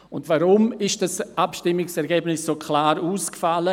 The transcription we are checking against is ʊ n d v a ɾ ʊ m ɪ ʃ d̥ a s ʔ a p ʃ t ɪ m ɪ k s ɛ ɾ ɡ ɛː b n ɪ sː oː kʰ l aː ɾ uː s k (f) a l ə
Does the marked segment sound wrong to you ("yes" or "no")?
no